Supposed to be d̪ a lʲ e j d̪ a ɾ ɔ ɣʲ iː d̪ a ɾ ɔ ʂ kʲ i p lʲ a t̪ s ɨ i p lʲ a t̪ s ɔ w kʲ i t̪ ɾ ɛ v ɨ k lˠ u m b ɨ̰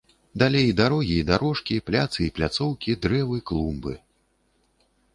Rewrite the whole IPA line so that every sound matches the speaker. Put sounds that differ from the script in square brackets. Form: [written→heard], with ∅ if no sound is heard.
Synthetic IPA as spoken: d̪ a lʲ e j d̪ a ɾ ɔ ɣʲ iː d̪ a ɾ ɔ ʂ kʲ i p lʲ a t̪ s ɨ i p lʲ a t̪ s ɔ w kʲ i [t̪→d̪] ɾ ɛ v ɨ k lˠ u m b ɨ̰